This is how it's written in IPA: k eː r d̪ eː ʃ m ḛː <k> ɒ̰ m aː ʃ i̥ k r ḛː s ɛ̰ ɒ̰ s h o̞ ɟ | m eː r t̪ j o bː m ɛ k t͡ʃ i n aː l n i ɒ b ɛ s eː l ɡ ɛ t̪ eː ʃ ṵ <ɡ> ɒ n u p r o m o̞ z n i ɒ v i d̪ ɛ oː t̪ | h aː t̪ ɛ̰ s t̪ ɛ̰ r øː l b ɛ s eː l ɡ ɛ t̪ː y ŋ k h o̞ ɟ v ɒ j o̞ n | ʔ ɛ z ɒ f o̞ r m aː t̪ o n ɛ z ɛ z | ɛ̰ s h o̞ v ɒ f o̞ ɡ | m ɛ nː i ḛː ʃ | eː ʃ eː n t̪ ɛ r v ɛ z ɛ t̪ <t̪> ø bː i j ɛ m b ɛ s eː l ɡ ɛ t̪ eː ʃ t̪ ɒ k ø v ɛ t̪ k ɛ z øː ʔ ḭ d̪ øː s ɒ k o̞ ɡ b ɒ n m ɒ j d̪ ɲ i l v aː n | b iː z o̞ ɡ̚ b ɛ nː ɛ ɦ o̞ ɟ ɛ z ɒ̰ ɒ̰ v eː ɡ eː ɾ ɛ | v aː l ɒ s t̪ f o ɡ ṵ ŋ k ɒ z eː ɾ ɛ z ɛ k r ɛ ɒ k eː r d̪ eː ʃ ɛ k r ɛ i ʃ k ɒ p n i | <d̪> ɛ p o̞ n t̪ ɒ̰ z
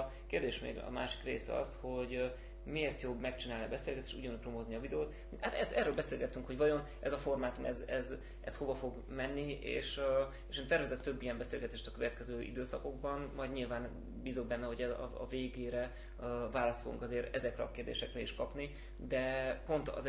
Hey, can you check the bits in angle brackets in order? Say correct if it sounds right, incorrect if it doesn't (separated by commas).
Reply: incorrect, incorrect, correct, correct